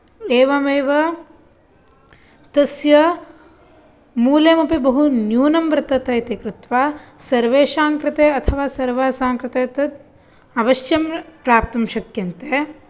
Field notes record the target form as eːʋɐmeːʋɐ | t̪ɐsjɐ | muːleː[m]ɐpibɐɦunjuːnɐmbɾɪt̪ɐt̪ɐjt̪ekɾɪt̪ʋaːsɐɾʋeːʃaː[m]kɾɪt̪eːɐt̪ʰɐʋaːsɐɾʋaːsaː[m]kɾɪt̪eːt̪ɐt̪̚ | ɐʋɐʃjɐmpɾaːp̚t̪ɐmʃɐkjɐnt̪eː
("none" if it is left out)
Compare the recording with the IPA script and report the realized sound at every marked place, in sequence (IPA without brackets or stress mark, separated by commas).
m, ŋ, ŋ